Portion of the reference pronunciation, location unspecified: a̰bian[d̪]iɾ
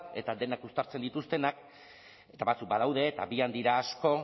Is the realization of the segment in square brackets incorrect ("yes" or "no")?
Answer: no